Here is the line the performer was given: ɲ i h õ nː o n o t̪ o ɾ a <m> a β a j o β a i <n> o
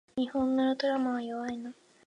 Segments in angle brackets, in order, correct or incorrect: correct, correct

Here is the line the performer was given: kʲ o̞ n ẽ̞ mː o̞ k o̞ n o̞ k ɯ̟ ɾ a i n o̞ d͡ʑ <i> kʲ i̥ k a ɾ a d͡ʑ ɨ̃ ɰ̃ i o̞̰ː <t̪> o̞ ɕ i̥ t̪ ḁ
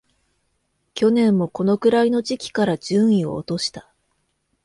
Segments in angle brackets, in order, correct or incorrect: correct, correct

